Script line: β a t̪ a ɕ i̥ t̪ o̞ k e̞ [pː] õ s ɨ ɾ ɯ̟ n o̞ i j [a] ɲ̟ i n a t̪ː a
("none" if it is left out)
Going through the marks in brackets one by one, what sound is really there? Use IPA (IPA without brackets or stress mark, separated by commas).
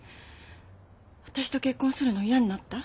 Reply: kː, a